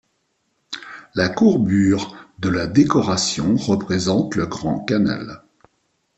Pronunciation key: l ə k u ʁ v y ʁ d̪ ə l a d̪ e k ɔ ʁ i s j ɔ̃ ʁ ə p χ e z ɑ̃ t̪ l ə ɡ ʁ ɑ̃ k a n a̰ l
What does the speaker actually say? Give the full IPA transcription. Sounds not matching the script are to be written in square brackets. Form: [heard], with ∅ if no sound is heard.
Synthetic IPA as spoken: l [a] k u ʁ [b] y ʁ d̪ ə l a d̪ e k ɔ ʁ [a] s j ɔ̃ ʁ ə p χ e z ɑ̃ t̪ l ə ɡ ʁ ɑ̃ k a n a̰ l